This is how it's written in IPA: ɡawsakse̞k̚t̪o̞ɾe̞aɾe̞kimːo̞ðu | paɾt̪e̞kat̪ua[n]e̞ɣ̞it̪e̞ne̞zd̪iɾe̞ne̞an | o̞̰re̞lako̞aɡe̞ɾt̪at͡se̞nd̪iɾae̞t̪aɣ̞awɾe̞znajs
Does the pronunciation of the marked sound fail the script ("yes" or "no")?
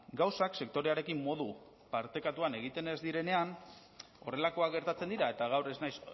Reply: no